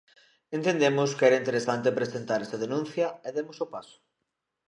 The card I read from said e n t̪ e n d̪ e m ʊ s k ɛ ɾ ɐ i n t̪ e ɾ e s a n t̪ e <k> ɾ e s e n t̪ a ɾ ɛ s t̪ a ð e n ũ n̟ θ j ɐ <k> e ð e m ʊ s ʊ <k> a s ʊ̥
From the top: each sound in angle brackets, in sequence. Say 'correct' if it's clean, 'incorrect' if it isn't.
incorrect: p, incorrect: none, incorrect: p

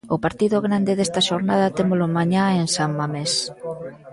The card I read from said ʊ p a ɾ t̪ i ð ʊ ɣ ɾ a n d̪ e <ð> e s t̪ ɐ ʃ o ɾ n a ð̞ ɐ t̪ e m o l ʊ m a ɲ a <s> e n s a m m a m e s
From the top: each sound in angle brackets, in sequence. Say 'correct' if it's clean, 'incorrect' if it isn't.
correct, incorrect: none

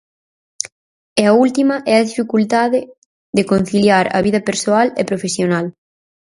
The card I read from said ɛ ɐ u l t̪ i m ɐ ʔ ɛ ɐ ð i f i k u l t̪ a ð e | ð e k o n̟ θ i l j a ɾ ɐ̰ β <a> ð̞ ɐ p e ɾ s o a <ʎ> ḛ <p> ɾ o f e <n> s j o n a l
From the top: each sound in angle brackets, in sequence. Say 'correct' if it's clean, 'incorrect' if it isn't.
incorrect: i, incorrect: l, correct, incorrect: none

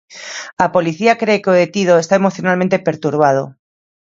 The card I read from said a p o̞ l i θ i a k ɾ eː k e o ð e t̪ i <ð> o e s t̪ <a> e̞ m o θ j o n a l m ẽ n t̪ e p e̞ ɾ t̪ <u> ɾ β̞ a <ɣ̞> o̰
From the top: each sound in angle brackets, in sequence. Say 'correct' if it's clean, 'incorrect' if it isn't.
correct, correct, correct, incorrect: ð̞

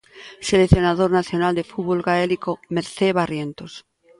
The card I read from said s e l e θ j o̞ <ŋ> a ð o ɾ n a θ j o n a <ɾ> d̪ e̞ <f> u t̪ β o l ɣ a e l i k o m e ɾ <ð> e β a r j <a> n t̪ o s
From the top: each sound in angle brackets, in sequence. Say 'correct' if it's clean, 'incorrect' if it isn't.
incorrect: n, incorrect: l, correct, incorrect: θ, incorrect: e

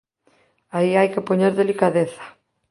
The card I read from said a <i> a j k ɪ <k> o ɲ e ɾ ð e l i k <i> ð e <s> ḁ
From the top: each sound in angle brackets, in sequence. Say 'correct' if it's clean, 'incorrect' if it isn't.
correct, incorrect: p, incorrect: a, incorrect: θ

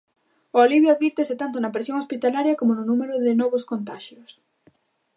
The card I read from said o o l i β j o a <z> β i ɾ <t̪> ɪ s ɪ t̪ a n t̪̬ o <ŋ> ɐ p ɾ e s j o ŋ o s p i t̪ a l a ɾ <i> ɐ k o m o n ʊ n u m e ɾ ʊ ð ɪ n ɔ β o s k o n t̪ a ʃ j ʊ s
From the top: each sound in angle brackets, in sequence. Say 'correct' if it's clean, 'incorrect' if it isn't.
incorrect: ð, correct, incorrect: n, incorrect: j

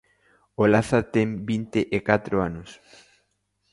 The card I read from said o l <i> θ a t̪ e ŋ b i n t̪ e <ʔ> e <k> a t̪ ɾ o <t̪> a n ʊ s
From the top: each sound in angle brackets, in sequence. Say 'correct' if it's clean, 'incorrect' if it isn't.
incorrect: a, correct, correct, incorrect: none

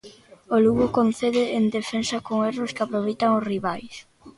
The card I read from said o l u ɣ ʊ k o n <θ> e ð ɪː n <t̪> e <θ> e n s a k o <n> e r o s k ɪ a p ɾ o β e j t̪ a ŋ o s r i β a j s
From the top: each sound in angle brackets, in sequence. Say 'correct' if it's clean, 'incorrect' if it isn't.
correct, incorrect: d̪, incorrect: f, incorrect: ŋ

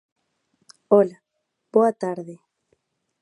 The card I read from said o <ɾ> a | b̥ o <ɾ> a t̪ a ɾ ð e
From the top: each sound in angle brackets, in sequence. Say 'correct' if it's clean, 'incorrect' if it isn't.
incorrect: l, incorrect: none

